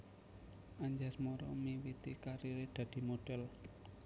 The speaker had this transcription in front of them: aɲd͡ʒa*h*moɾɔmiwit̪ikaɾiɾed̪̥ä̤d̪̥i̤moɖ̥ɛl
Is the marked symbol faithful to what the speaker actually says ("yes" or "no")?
no